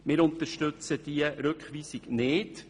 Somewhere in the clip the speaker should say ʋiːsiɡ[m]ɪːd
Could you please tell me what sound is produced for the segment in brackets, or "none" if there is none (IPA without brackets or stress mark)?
n